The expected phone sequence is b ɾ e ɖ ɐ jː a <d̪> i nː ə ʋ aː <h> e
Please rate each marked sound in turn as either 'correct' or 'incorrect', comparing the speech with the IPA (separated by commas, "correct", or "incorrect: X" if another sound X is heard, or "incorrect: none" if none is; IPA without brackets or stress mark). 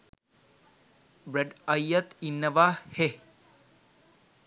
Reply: incorrect: t̪, correct